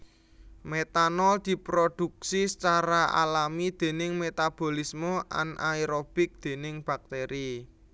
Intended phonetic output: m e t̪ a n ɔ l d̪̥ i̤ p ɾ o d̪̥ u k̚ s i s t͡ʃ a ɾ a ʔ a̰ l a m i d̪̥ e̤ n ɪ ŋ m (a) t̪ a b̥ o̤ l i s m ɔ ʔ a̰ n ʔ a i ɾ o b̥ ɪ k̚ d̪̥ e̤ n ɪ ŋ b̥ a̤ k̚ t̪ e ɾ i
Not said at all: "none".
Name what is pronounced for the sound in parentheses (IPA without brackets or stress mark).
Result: e